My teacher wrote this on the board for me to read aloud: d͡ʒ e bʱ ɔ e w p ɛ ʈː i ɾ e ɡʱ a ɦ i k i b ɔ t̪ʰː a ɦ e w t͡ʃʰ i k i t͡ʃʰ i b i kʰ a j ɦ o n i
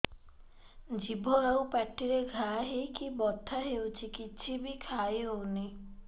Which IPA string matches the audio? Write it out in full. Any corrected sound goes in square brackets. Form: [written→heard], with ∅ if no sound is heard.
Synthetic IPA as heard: d͡ʒ [e→i] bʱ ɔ e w p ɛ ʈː i ɾ e ɡʱ a ɦ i k i b ɔ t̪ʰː a ɦ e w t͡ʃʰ i k i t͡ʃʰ i b i kʰ a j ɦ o n i